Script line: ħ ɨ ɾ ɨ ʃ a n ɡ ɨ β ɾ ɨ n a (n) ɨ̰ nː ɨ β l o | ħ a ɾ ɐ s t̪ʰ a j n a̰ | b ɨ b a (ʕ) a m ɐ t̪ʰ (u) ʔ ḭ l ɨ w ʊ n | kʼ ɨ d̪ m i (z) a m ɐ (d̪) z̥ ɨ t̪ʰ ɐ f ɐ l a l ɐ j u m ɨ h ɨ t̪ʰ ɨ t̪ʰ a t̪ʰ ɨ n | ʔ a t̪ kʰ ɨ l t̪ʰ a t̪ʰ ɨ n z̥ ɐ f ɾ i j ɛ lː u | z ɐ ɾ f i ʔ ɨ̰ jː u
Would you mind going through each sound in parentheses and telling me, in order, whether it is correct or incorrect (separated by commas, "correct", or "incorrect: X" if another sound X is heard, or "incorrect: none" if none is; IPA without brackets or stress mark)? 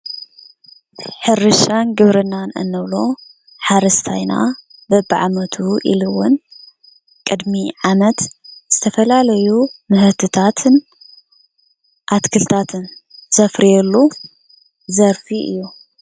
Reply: correct, correct, correct, incorrect: ʕ, incorrect: t̪